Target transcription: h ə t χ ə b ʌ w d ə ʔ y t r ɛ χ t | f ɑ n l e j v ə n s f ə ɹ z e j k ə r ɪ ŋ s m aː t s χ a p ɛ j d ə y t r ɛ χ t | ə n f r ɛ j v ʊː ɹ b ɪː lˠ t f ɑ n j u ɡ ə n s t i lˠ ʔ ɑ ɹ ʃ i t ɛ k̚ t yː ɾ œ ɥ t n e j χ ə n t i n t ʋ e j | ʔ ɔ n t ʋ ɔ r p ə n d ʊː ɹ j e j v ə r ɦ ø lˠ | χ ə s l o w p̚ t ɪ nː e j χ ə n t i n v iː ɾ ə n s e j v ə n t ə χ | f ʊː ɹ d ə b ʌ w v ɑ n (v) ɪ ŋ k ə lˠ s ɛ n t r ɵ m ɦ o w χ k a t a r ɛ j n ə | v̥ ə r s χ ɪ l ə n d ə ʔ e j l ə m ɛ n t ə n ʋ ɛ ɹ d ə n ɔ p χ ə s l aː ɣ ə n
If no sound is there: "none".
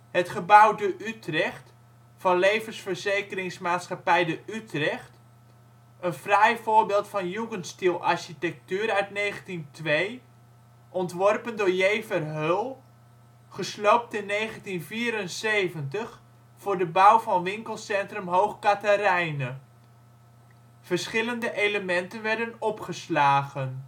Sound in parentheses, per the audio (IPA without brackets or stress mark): ʋ